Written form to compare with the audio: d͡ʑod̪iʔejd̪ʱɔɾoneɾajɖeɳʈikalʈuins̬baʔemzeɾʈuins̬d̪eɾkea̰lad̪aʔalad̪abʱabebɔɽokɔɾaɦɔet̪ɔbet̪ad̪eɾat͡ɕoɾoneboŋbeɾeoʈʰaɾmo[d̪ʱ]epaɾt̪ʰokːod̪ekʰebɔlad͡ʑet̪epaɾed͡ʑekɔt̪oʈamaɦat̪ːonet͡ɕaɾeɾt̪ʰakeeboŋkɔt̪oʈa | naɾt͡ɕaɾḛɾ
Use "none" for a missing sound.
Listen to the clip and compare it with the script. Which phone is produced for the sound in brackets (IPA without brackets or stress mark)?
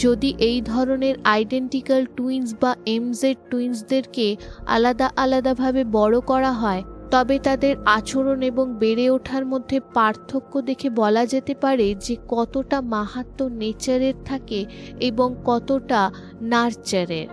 d̪ʱː